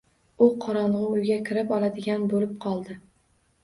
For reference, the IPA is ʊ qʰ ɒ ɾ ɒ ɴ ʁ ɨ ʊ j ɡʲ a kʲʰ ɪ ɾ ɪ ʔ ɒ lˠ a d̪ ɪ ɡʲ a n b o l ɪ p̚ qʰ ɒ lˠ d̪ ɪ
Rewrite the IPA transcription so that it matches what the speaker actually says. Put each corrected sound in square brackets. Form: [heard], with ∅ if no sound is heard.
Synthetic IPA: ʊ qʰ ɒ ɾ ɒ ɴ ʁ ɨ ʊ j ɡʲ a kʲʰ ɪ ɾ ɪ [p] ɒ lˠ a d̪ ɪ ɡʲ a n b o l ɪ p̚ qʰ ɒ lˠ d̪ ɪ